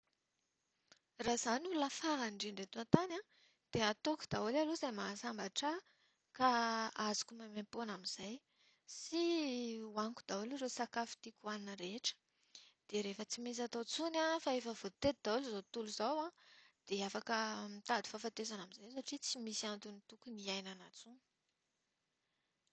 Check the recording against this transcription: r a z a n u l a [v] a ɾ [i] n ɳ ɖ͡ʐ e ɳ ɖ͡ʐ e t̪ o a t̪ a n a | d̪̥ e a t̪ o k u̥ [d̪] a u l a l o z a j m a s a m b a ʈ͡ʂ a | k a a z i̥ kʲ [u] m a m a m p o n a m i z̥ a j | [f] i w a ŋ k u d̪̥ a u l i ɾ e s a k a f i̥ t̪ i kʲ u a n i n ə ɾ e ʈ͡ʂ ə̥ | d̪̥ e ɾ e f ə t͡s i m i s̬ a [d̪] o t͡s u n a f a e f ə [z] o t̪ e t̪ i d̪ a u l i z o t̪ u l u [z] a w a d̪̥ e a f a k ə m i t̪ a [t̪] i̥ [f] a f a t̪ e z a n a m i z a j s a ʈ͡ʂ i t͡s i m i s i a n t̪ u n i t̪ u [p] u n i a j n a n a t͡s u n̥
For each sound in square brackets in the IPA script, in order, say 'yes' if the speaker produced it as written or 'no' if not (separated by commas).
no, no, yes, yes, no, no, no, yes, no, yes, no